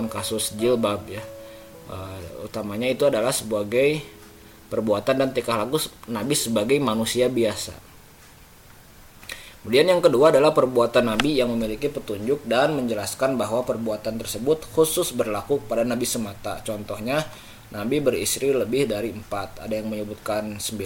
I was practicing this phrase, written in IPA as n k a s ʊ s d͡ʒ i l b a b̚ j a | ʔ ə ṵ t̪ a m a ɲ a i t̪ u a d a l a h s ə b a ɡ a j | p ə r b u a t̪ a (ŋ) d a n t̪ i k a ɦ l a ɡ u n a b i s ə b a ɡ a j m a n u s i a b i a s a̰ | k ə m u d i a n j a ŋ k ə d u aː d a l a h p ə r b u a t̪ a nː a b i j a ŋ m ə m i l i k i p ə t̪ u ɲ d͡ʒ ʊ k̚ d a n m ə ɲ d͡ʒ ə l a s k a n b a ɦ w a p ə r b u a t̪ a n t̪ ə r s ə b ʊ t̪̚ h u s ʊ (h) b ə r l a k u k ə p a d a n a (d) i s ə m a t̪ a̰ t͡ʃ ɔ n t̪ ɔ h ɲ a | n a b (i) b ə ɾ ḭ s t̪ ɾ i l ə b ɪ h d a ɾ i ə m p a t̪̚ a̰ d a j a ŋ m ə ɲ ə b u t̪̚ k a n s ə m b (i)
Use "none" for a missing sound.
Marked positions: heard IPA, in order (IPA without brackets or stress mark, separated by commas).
n, s, b, i, i